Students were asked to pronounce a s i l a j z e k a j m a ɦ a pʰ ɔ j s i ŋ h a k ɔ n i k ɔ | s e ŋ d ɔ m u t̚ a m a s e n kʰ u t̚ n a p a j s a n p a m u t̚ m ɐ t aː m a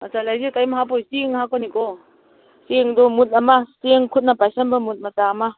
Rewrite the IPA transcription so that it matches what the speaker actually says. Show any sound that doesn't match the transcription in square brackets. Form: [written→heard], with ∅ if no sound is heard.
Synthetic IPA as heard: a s [i→a] l a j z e k a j m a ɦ a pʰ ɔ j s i ŋ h a k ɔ n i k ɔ | s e ŋ d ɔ m u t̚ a m a s e [n→ŋ] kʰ u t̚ n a p a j s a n [p→b] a m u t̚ m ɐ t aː m a